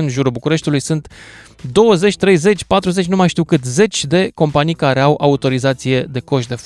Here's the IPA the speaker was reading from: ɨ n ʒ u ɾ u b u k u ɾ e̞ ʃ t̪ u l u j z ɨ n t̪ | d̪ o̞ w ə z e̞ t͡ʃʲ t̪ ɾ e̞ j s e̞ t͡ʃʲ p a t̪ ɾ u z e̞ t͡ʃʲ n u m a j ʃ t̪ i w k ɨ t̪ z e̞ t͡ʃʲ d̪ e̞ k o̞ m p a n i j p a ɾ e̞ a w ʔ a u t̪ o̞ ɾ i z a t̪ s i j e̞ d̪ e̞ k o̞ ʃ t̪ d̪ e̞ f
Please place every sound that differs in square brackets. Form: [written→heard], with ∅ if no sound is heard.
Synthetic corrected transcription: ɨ n ʒ u ɾ u b u k u ɾ e̞ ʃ t̪ u l u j [z→s] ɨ n t̪ | d̪ o̞ w ə z e̞ t͡ʃʲ t̪ ɾ e̞ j [s→z] e̞ t͡ʃʲ p a t̪ ɾ u z e̞ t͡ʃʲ n u m a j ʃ t̪ i w k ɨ t̪ z e̞ t͡ʃʲ d̪ e̞ k o̞ m p a n i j [p→k] a ɾ e̞ a w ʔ a u t̪ o̞ ɾ i z a t̪ s i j e̞ d̪ e̞ k o̞ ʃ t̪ d̪ e̞ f